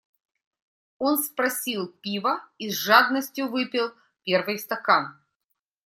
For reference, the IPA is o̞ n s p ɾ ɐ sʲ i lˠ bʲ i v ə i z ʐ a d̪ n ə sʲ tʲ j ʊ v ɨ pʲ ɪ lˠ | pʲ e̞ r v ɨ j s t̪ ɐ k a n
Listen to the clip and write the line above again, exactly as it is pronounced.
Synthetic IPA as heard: o̞ n s p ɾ ɐ sʲ i lˠ pʲ i v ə i z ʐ a d̪ n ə sʲ tʲ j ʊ v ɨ pʲ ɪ lˠ | pʲ e̞ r v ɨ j s t̪ ɐ k a n